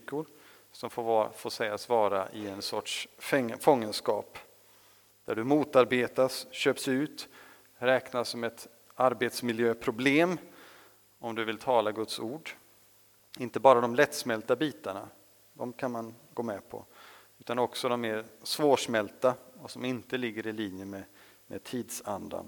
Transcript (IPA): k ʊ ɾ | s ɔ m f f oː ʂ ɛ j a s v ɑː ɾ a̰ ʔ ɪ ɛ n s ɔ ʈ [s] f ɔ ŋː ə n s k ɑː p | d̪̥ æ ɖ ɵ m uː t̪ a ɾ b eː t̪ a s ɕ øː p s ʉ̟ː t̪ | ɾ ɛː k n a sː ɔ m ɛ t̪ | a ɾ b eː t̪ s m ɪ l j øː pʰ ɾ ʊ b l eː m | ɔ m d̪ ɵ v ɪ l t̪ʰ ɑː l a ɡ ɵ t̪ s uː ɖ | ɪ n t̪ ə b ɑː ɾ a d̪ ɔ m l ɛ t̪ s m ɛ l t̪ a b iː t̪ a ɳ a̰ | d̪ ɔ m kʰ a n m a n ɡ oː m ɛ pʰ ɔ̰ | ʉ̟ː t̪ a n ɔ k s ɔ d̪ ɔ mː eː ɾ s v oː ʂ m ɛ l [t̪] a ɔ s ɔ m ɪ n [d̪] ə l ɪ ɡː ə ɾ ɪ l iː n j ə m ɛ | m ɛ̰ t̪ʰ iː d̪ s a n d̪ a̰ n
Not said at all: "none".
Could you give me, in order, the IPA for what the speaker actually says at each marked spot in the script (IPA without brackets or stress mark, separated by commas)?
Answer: ʂ, t̪, t̪